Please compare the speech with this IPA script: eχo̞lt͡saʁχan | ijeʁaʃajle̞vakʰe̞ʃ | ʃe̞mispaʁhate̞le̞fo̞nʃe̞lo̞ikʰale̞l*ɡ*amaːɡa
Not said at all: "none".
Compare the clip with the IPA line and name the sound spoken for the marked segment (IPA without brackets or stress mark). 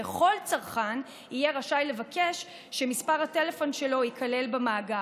b